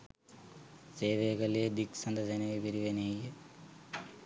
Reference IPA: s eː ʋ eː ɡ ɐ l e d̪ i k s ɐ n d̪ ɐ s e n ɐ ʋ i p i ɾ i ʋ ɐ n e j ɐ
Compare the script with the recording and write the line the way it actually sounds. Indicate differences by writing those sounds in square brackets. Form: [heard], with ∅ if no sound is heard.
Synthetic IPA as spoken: s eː ʋ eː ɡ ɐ l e d̪ i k s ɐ n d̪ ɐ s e n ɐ ʋ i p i ɾ i ʋ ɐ n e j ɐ